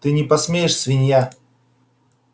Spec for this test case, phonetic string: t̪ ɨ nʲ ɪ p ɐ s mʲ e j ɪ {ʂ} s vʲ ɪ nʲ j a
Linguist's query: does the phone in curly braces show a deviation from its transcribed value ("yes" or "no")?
no